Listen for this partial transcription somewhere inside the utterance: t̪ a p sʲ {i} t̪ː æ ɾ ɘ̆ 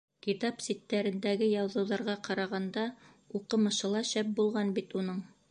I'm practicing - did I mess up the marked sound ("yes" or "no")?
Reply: no